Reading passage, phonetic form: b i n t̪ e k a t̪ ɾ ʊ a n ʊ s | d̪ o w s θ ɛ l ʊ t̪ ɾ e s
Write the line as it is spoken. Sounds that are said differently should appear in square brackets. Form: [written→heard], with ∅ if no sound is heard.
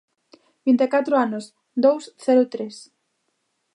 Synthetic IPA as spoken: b i n t̪ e k a t̪ ɾ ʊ a n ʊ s | d̪ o w s θ ɛ [l→ɾ] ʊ t̪ ɾ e s